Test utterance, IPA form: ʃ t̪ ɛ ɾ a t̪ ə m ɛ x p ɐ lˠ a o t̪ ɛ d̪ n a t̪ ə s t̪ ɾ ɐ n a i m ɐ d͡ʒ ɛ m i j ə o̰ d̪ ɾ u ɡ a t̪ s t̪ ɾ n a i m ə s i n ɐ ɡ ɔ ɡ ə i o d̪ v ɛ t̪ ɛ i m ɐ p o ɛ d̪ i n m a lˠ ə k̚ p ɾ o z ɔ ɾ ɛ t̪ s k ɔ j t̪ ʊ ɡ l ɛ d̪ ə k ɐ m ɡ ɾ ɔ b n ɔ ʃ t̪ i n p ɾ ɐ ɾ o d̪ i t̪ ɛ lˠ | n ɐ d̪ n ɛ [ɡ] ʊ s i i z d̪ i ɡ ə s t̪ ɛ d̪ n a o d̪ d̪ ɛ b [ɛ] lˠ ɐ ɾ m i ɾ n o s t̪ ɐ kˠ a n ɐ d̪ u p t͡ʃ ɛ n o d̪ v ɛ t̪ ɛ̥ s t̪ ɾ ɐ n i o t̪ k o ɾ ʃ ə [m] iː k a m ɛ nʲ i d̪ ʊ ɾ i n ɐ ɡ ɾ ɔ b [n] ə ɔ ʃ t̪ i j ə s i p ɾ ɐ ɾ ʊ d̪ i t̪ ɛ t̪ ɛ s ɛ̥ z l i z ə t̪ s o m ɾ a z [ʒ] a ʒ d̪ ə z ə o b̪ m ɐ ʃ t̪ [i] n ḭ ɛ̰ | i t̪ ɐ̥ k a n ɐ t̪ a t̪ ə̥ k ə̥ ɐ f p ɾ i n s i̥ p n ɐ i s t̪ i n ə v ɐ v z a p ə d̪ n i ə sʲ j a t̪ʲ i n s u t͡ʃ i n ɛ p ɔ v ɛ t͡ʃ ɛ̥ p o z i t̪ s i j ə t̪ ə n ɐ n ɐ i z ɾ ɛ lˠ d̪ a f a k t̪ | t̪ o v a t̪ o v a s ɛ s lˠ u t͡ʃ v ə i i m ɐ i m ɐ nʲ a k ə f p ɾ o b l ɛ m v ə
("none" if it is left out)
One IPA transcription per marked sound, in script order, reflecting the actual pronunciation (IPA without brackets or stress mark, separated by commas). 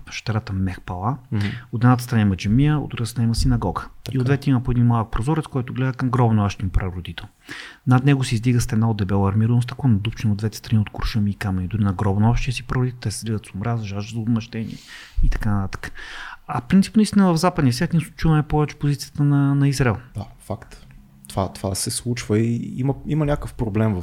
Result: ɡ, ɛ, m, n, ʒ, ɛ